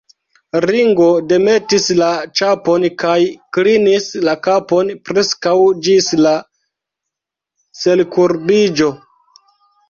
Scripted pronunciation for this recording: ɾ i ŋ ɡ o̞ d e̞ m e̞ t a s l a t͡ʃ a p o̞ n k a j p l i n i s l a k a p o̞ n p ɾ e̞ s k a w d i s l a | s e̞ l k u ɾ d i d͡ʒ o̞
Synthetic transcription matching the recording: ɾ i ŋ ɡ o̞ d e̞ m e̞ t i s l a t͡ʃ a p o̞ n k a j k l i n i s l a k a p o̞ n p ɾ e̞ s k a w d͡ʒ i s l a | s e̞ l k u ɾ b i d͡ʒ o̞